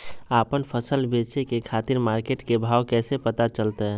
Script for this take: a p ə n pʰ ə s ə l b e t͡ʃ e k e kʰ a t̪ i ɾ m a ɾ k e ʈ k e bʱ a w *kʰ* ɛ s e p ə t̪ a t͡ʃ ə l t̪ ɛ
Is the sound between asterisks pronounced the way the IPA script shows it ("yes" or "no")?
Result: no